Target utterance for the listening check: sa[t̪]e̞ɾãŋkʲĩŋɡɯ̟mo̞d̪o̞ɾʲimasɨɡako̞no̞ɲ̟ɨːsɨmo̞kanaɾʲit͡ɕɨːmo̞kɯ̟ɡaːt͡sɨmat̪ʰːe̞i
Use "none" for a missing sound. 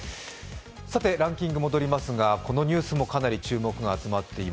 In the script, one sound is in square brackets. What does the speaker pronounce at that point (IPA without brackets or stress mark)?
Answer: t̪